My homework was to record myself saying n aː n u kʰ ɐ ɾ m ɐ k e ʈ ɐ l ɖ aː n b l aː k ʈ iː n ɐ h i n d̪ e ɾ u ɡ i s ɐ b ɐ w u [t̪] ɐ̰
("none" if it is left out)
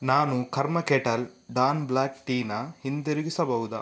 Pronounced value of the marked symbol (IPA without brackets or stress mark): d̪